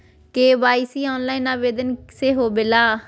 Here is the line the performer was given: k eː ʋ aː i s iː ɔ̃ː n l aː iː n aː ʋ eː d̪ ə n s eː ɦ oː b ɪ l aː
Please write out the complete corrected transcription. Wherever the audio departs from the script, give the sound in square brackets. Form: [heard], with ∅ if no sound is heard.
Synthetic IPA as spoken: k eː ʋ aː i s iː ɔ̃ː n l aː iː n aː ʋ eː d̪ ə n s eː ɦ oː b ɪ l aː